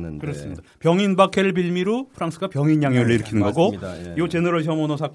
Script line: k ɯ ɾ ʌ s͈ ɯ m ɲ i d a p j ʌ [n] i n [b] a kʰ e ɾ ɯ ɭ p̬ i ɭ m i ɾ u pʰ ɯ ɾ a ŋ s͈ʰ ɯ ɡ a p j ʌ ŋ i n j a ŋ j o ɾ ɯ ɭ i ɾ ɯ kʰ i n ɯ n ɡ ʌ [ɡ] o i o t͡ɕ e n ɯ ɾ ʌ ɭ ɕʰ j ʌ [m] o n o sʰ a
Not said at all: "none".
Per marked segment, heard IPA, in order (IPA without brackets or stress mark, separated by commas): ŋ, b, ɡ, m